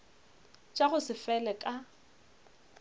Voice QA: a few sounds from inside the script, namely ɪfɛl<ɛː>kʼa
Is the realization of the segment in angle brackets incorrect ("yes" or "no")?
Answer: yes